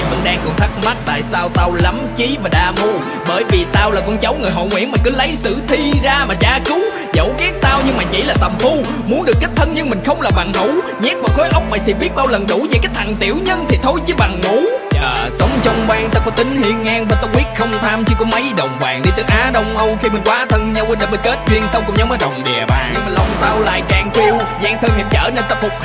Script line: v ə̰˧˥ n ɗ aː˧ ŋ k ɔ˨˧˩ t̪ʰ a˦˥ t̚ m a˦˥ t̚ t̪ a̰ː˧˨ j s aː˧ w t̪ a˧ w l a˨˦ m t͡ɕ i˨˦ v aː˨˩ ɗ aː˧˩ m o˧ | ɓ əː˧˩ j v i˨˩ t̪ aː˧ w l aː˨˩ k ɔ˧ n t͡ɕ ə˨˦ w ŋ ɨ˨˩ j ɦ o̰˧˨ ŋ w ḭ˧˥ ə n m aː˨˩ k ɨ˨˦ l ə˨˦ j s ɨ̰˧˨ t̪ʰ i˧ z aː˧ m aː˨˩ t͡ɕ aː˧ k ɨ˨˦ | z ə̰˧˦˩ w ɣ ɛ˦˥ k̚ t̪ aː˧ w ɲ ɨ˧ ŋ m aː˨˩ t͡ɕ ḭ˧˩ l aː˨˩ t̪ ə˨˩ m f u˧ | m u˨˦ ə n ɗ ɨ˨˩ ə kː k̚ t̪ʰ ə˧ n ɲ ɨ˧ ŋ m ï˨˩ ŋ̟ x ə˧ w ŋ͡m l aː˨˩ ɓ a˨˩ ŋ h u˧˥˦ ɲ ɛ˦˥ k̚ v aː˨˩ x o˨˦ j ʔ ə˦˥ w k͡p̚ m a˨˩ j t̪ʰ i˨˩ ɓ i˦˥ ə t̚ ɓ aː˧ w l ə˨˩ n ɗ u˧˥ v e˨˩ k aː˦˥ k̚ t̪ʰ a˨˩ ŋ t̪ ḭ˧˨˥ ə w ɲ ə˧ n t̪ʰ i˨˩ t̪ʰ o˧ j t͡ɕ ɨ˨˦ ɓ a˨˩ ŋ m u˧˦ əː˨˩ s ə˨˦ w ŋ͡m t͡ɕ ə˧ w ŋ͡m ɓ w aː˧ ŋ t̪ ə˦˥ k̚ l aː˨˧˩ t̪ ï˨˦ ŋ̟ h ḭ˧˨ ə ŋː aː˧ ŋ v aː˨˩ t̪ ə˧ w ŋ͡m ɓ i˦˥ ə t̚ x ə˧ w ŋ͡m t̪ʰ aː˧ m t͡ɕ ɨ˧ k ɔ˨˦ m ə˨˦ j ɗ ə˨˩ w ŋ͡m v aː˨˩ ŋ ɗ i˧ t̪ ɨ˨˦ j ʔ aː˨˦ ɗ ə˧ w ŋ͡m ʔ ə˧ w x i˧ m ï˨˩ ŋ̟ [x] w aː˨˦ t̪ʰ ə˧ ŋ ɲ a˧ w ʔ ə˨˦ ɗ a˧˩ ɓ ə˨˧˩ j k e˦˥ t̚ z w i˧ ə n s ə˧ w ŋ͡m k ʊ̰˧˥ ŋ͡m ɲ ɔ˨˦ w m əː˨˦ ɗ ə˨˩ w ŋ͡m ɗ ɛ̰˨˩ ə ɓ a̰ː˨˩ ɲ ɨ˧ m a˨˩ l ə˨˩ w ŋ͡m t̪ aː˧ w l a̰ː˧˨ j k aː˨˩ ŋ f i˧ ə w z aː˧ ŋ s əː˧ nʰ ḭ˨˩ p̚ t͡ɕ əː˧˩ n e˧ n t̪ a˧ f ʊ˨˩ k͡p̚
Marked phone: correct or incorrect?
incorrect: k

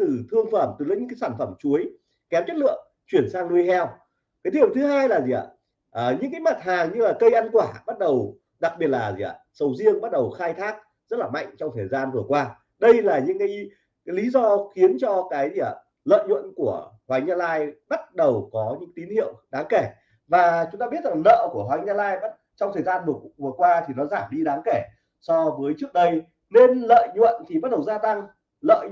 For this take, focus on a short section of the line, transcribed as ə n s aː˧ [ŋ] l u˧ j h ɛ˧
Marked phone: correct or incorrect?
correct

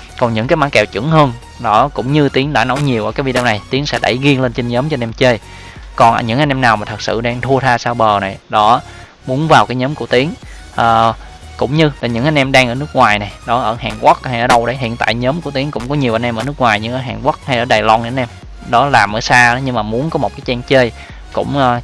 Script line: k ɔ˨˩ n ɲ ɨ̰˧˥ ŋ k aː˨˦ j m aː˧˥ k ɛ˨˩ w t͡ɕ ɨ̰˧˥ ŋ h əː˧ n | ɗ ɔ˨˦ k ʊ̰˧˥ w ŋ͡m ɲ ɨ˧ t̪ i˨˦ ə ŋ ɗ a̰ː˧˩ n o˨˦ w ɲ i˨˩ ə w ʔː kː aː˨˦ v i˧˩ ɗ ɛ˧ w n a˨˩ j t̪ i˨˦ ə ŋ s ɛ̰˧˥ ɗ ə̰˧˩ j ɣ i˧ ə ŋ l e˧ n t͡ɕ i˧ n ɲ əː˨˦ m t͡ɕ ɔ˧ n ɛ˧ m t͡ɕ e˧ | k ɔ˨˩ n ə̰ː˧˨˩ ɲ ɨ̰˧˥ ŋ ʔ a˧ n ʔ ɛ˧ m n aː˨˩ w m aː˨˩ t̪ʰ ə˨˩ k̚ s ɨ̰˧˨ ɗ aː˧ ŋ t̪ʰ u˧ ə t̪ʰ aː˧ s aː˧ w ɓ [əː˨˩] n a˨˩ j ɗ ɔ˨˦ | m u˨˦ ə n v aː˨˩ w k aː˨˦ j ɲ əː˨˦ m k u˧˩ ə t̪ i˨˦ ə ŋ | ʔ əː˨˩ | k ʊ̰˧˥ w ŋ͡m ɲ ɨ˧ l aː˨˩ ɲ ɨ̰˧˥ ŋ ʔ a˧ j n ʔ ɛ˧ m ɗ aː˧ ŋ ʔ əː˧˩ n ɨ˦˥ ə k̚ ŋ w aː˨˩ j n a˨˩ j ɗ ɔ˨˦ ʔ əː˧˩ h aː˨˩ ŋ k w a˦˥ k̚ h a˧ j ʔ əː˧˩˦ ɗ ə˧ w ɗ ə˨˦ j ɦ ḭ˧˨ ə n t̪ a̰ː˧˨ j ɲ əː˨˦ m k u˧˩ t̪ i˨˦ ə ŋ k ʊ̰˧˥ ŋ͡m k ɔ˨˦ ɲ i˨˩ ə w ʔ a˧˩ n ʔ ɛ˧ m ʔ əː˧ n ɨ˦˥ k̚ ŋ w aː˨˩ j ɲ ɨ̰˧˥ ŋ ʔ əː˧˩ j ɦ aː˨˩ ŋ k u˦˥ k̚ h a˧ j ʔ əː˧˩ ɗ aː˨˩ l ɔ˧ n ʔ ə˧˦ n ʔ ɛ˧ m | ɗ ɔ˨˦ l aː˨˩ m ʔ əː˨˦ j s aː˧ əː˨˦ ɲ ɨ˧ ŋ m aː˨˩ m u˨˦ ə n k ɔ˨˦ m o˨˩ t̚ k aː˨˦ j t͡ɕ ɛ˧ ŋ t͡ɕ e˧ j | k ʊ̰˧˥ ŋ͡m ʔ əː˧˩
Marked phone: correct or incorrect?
correct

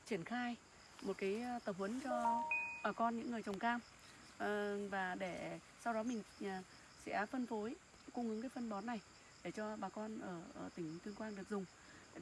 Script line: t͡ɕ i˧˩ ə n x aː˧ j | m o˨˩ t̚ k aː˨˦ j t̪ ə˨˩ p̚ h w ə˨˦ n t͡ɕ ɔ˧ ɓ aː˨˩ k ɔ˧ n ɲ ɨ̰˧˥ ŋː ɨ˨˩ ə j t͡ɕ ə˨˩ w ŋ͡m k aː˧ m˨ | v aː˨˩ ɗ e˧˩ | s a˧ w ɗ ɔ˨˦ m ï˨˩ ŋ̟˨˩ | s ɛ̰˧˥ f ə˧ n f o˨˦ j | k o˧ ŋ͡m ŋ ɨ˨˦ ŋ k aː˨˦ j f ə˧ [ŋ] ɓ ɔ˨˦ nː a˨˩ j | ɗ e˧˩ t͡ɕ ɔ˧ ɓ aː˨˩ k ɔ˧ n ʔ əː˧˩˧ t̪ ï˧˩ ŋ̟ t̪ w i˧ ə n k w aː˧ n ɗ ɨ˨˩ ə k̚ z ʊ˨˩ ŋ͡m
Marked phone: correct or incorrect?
incorrect: n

